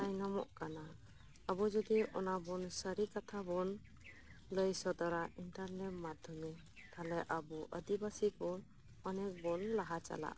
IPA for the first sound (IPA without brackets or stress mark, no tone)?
a